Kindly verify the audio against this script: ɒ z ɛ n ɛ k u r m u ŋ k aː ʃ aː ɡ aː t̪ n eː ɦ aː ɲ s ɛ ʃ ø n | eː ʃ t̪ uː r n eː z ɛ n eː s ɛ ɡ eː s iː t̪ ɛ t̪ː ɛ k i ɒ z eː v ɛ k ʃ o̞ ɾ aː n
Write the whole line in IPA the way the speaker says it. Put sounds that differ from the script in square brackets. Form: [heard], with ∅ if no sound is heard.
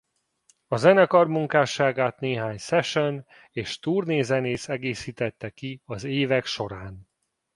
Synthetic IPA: ɒ z ɛ n ɛ k [ɒ] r m u ŋ k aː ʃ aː ɡ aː t̪ n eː ɦ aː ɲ s ɛ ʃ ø n | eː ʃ t̪ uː r n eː z ɛ n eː s ɛ ɡ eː s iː t̪ ɛ t̪ː ɛ k i ɒ z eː v ɛ k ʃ o̞ ɾ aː n